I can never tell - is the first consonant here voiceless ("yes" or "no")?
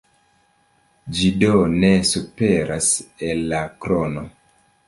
no